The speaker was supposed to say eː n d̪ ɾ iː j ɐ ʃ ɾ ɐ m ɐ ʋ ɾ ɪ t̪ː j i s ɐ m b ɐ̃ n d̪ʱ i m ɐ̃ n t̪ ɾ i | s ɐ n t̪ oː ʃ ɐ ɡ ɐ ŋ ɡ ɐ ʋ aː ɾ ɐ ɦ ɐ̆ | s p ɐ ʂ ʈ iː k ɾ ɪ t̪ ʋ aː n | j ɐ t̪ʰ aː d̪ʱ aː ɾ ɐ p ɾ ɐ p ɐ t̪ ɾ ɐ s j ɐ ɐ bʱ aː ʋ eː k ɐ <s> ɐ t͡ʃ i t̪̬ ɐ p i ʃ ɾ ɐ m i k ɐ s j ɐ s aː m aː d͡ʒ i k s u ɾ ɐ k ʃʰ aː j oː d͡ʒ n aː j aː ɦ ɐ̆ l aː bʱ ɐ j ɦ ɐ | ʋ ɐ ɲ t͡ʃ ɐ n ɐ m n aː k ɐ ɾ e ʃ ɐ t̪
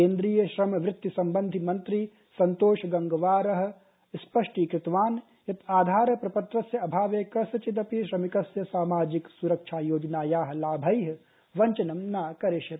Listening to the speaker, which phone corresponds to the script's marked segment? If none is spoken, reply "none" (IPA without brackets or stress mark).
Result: s